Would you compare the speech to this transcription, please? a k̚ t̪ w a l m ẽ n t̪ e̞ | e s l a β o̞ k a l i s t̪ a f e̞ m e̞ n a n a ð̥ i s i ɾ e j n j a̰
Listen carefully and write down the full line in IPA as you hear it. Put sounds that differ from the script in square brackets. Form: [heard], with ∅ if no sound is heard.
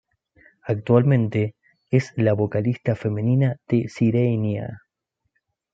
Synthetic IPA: a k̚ t̪ w a l m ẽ n t̪ e̞ | e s l a β o̞ k a l i s t̪ a f e̞ m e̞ n [i] n a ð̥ [e] s i ɾ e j n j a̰